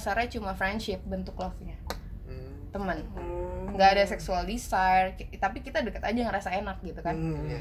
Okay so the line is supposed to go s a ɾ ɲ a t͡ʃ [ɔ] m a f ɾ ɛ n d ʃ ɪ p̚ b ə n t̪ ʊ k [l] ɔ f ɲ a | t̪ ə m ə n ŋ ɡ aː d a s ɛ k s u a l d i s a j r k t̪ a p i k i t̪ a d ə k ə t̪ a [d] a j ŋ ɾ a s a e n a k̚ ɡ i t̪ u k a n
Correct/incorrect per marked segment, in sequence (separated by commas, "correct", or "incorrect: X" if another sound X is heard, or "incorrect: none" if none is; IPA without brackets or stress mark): incorrect: u, correct, incorrect: d͡ʒ